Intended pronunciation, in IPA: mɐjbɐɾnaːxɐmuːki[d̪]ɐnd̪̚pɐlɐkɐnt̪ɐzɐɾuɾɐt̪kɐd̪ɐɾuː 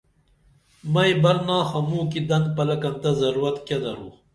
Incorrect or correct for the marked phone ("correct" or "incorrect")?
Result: correct